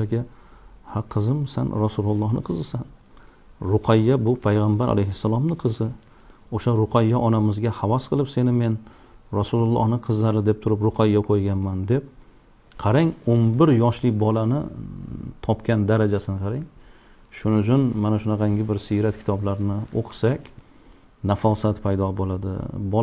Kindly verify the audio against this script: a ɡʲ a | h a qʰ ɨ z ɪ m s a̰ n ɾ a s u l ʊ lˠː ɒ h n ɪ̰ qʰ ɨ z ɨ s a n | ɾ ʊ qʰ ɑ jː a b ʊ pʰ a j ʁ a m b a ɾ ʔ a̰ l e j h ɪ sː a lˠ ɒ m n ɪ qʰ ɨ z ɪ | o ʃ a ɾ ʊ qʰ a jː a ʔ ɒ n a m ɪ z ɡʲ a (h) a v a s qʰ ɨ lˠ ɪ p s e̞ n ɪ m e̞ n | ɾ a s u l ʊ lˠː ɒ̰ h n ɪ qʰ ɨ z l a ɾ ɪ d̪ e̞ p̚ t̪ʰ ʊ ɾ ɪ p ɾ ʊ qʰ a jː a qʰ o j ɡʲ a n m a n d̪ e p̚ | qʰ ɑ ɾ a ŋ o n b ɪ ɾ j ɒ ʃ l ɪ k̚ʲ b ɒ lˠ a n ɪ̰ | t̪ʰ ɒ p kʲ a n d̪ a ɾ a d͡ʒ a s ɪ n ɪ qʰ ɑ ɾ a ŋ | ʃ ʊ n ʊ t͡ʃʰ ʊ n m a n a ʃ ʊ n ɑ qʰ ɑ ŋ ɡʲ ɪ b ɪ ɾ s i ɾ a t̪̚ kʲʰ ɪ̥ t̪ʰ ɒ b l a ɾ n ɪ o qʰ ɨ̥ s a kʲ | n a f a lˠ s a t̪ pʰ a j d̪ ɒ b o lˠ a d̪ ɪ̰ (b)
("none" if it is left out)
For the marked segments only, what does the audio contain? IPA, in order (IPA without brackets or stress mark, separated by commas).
h, b